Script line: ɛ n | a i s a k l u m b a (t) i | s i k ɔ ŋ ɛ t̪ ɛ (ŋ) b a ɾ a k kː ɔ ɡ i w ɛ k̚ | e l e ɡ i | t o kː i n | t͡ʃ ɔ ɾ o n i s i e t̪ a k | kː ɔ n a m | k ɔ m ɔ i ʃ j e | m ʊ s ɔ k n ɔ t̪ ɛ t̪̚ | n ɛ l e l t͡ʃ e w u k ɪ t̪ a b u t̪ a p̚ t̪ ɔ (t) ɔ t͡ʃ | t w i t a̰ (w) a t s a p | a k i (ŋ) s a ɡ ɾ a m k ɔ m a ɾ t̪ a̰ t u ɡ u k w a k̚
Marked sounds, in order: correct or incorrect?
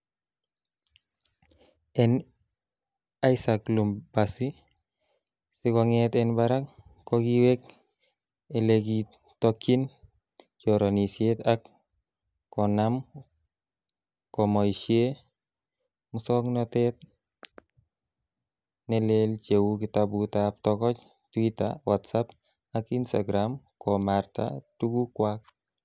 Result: incorrect, incorrect, incorrect, correct, incorrect

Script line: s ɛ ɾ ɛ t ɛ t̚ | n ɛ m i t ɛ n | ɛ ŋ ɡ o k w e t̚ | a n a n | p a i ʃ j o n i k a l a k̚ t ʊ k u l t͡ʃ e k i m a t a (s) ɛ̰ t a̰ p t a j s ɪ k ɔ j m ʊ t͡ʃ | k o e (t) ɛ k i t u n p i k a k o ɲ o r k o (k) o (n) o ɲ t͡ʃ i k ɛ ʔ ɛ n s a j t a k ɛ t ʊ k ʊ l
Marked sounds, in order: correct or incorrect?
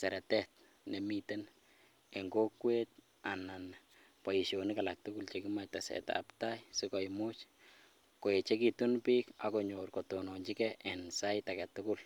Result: correct, incorrect, incorrect, correct

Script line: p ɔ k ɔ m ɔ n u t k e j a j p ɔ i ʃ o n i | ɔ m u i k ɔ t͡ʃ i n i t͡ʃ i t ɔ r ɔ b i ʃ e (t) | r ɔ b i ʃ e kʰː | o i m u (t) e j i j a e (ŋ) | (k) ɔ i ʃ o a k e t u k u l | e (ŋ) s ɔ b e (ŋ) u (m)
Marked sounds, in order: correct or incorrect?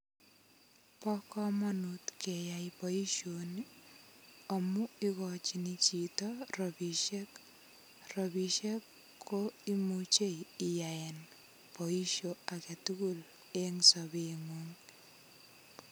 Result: incorrect, incorrect, incorrect, incorrect, correct, correct, incorrect

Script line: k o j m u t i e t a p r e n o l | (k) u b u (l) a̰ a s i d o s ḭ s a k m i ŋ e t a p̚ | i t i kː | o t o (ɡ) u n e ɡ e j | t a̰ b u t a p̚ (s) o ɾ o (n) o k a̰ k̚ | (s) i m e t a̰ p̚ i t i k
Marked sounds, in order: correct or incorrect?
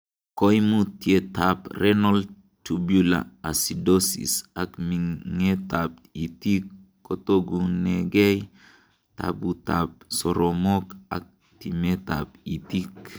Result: incorrect, correct, correct, correct, incorrect, incorrect

